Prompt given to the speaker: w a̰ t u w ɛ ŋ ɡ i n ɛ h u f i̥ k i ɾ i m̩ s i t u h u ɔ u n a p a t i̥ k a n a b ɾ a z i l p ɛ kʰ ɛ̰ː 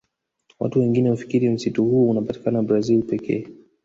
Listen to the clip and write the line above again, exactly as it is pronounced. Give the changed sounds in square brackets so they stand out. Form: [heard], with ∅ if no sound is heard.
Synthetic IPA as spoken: w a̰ t u w ɛ ŋ ɡ i n ɛ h u f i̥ k i ɾ i m̩ s i t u h u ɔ u n a p a t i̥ k a n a b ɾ a z i l p ɛ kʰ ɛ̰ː

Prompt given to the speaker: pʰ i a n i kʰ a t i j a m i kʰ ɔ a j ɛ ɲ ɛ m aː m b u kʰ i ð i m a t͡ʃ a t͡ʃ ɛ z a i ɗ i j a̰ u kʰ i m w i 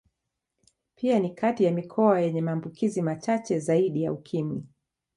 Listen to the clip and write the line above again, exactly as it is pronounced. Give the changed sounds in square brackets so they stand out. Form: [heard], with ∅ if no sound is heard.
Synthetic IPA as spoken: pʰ i a n i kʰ a t i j a m i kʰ ɔ a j ɛ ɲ ɛ m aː m b u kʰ i [z] i m a t͡ʃ a t͡ʃ ɛ z a i ɗ i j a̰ u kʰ i m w i

